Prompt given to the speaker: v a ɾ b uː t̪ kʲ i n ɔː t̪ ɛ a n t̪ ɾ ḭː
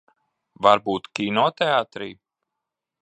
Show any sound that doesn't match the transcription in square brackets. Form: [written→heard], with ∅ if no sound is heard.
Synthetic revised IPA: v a ɾ b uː t̪ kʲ i n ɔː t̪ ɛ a [n→∅] t̪ ɾ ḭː